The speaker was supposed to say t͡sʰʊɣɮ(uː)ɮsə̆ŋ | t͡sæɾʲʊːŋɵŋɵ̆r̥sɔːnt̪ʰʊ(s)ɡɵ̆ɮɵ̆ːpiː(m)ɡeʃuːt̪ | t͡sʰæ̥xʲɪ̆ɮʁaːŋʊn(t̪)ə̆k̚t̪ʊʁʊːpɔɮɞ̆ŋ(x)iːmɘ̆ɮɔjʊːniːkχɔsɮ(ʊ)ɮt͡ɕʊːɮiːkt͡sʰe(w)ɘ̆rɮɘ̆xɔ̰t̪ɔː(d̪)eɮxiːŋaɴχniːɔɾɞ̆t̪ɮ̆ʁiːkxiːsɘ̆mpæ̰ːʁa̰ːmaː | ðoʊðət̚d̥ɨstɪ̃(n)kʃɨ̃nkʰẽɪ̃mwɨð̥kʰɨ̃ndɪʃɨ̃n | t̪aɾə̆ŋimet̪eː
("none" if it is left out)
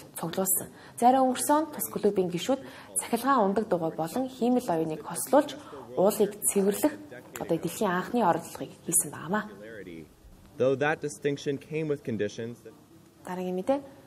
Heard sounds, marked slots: ʊː, s, ŋ, t̪, x, ʊː, w, t̪, ŋ

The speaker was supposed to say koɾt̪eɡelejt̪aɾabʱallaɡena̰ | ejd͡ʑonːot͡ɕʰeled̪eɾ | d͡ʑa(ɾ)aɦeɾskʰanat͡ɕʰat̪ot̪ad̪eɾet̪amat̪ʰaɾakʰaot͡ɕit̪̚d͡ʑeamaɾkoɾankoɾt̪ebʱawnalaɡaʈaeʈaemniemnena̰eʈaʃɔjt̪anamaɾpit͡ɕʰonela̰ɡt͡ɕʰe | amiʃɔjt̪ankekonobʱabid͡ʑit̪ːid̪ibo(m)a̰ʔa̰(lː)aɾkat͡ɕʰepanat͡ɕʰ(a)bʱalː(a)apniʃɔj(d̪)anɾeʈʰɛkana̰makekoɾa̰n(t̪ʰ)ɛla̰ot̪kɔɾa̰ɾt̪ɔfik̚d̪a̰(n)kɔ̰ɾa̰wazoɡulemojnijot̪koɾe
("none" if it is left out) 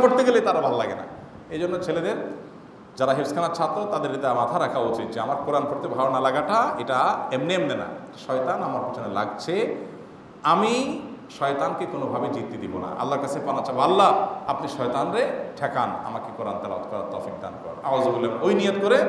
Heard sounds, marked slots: ɾ, n, lː, a, a, t̪, t̪, n

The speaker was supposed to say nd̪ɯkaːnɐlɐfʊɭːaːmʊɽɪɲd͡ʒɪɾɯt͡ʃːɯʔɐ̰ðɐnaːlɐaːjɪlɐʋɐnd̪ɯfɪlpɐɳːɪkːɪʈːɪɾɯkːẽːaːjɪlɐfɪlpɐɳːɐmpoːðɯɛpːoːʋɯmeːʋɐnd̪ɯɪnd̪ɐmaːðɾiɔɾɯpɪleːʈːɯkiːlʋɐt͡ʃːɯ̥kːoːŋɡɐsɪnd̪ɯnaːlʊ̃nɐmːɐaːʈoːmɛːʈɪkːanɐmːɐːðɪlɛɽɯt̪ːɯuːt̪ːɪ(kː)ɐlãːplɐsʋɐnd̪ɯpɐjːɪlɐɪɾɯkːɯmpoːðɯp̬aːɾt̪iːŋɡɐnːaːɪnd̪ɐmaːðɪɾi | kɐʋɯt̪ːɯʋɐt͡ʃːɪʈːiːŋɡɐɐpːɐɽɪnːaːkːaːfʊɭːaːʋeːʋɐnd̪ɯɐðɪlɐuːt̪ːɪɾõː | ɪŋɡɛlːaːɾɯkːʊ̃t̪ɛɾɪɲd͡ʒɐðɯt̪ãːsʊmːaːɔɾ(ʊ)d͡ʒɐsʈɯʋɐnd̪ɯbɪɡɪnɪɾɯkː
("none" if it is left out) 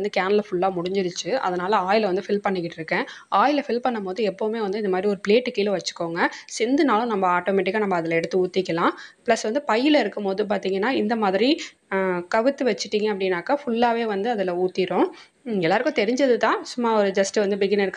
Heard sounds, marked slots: kː, ɯ

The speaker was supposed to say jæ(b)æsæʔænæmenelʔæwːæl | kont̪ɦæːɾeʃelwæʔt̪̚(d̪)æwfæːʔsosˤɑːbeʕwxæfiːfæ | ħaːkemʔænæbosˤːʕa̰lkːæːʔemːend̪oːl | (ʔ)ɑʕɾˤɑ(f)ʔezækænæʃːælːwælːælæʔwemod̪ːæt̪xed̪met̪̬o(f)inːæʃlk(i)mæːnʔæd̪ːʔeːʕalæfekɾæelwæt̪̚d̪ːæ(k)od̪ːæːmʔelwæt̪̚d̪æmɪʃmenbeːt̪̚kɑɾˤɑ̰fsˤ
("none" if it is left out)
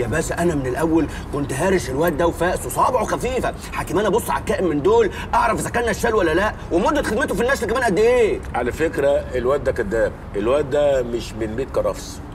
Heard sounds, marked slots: b, d̪, ʔ, f, f, æ, k

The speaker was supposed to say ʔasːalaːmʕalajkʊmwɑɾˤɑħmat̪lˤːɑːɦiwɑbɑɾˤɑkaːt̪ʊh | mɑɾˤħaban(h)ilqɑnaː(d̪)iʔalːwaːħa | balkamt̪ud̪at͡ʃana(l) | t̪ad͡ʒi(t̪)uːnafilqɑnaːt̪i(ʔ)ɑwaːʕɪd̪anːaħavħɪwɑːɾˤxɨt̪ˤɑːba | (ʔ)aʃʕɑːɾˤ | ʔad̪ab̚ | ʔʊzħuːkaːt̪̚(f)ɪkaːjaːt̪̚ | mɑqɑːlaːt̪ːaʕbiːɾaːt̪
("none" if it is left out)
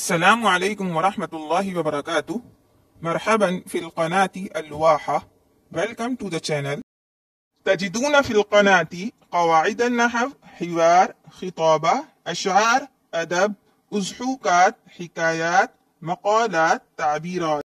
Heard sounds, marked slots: f, t̪, l, d̪, q, ʔ, ħ

